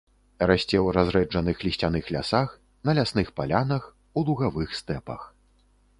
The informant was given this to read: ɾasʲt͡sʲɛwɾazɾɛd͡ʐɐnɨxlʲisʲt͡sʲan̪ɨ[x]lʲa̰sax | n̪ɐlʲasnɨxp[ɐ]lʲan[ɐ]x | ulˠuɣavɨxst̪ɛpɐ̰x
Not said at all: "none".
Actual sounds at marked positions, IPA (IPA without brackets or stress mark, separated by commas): x, a, ɐ